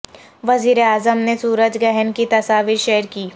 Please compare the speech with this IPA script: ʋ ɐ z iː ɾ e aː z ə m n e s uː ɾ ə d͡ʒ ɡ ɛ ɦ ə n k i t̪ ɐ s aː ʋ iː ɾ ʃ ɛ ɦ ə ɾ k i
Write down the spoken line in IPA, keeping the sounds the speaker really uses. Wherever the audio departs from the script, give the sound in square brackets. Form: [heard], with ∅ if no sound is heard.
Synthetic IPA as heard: ʋ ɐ z iː ɾ e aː z ə m n e s uː ɾ ə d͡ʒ ɡ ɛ ɦ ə n k i t̪ ɐ s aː ʋ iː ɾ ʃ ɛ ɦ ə ɾ k [iː]